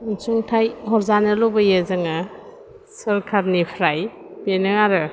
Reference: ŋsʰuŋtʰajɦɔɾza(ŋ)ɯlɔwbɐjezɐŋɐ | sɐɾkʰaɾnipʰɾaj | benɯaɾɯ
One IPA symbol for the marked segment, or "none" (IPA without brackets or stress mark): n